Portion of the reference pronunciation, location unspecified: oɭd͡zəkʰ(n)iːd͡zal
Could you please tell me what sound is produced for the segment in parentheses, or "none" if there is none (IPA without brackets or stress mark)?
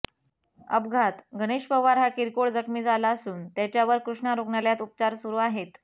m